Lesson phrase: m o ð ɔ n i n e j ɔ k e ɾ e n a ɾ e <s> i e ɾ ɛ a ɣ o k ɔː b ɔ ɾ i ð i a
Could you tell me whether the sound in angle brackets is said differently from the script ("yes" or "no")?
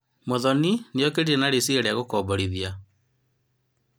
no